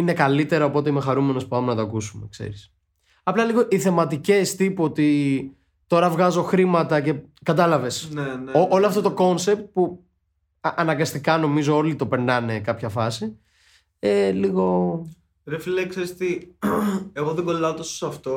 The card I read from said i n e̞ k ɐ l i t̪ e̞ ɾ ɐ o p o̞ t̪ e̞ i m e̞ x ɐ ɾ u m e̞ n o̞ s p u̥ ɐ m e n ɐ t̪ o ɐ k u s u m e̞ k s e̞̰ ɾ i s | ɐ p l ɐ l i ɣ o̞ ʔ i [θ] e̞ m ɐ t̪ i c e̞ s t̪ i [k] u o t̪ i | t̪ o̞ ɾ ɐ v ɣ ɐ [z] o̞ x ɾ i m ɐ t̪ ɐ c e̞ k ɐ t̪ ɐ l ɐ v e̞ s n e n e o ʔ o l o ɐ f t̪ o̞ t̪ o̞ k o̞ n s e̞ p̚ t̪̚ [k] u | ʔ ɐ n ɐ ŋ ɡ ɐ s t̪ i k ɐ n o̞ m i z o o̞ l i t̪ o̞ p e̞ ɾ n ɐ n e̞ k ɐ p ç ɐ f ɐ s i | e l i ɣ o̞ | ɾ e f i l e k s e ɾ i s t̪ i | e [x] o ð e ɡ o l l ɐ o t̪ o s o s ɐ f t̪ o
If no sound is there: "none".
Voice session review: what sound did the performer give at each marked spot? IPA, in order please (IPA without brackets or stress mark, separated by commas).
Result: θ, p, z, p, ɣ